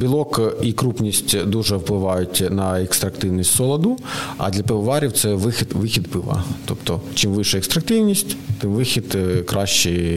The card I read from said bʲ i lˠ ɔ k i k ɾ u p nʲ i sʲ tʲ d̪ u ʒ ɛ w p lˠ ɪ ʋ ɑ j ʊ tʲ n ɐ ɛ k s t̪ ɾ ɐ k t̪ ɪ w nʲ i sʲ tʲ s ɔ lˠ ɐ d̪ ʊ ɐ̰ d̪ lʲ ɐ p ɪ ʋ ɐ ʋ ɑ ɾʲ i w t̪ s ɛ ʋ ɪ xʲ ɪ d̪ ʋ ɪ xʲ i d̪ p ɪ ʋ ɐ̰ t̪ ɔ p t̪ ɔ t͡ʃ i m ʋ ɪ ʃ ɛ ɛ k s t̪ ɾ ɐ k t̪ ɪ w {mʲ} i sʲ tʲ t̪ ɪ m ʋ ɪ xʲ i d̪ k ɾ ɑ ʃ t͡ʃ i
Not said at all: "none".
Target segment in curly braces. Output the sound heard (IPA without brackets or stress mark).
nʲ